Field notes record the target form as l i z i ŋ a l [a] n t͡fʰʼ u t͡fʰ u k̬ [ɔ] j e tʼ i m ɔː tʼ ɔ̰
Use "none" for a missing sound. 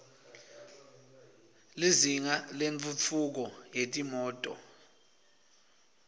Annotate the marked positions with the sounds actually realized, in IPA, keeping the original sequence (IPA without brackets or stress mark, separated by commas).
e, ɔ